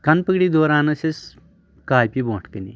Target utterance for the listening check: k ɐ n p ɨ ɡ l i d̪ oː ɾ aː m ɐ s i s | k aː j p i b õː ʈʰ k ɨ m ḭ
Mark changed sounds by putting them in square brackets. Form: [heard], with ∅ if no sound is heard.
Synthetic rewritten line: k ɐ n p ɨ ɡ [ɽ] i d̪ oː ɾ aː [n] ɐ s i s | k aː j p i b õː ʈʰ k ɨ [n] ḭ